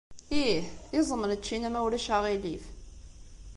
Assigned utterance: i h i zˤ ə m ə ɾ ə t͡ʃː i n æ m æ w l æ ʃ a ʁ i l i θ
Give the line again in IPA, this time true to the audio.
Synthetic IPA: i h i zˤ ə m ə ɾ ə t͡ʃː i n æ m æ w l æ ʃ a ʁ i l i f